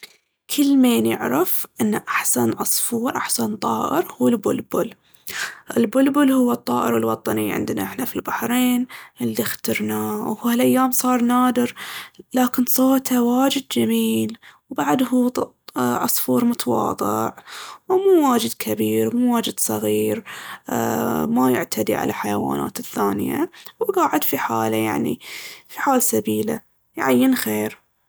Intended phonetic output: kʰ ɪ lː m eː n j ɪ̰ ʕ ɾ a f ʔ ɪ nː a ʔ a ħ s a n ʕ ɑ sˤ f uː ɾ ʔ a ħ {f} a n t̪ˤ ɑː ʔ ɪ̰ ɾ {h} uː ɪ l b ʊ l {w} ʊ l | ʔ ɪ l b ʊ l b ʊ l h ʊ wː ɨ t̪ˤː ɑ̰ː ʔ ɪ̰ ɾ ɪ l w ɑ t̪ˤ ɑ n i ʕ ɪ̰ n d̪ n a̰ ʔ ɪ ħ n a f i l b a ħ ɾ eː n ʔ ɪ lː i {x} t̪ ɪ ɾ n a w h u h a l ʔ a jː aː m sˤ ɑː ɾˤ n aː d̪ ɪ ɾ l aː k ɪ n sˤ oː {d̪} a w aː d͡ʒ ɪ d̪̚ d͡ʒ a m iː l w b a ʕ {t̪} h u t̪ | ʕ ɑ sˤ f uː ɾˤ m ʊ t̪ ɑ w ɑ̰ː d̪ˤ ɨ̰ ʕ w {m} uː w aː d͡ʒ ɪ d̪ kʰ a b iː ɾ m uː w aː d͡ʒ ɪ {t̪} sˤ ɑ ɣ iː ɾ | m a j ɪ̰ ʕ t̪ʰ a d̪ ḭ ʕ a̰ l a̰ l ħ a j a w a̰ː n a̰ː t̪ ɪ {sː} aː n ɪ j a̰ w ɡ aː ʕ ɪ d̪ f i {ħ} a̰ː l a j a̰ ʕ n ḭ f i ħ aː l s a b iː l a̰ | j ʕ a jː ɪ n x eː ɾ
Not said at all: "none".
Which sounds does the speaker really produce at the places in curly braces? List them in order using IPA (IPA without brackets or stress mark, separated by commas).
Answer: s, h, b, x, t̪, d̪, m, d̪, θː, ħ